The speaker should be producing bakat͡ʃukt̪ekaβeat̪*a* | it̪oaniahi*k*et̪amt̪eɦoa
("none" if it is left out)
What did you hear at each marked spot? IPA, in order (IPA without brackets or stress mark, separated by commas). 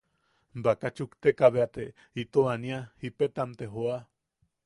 e, p